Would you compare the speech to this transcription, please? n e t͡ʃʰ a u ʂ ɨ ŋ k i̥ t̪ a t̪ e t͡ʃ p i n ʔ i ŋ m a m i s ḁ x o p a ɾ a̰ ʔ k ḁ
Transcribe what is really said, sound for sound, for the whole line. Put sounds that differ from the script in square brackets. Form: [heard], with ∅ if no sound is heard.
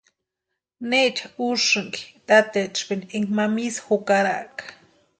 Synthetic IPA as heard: n e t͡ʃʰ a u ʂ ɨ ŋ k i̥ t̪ a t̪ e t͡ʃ p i n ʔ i ŋ m a m i s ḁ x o [k] a ɾ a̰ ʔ k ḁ